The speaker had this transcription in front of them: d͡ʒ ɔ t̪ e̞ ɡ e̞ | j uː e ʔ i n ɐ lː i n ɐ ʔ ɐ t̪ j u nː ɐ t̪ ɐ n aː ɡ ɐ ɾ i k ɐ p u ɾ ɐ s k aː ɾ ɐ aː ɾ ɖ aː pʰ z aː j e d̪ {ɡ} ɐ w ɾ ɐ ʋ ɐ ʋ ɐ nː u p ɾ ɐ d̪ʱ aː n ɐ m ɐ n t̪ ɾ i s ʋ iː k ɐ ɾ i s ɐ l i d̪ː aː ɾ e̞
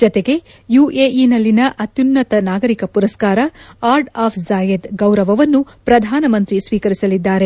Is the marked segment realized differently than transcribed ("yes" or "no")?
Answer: no